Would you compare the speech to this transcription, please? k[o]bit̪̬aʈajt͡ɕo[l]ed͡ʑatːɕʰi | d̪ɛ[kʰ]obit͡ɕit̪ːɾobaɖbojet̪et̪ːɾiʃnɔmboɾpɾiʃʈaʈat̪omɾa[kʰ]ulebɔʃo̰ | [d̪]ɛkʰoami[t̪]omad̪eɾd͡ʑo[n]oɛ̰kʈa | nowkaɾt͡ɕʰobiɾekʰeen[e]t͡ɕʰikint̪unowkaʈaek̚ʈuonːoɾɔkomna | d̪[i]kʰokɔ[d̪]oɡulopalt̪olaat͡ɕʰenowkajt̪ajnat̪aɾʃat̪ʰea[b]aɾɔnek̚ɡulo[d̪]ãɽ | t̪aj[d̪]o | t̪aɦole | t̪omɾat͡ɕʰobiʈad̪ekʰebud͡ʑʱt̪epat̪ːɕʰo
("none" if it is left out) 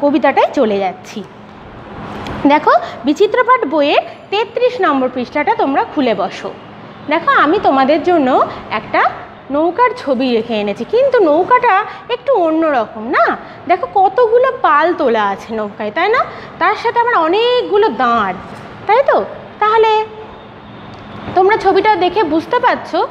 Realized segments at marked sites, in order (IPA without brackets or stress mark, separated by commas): o, l, kʰ, kʰ, d̪, t̪, nː, e, ɛ, t̪, m, d̪, t̪